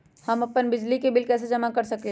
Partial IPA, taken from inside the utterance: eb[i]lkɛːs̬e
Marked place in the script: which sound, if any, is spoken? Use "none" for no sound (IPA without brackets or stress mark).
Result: ɪ